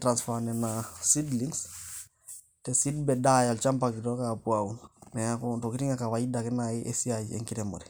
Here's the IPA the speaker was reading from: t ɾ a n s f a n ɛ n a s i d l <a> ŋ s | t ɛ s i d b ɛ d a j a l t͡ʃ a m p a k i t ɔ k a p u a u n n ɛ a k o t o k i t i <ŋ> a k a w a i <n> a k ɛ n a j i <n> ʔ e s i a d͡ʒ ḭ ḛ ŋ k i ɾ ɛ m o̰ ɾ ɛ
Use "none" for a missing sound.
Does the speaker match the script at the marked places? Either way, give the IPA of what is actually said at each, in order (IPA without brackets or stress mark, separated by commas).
i, ŋ, d, none